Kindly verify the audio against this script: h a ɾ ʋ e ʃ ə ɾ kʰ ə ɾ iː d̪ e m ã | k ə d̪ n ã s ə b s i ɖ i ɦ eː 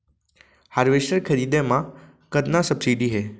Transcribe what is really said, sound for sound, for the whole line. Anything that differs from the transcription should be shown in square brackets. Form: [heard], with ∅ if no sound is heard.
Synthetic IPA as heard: h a ɾ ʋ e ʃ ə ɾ kʰ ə ɾ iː d̪ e m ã | k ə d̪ n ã s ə b s i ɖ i ɦ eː